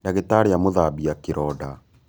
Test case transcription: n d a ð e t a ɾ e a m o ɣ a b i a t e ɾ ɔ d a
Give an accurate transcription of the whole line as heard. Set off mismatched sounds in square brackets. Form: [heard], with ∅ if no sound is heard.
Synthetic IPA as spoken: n d a [ɣ] e t a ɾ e a m o [ð] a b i a [k] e ɾ ɔ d a